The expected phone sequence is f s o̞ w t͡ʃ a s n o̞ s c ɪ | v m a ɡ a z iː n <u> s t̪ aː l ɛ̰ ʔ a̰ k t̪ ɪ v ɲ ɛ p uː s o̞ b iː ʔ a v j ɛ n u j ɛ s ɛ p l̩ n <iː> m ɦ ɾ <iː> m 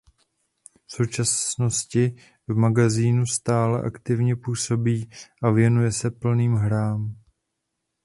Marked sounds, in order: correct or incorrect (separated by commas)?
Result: correct, correct, incorrect